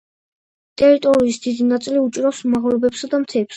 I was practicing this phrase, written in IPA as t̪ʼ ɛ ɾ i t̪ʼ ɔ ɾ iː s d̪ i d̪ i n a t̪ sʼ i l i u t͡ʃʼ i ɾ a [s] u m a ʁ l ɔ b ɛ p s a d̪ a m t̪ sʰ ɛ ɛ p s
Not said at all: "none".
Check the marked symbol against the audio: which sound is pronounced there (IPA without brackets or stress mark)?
s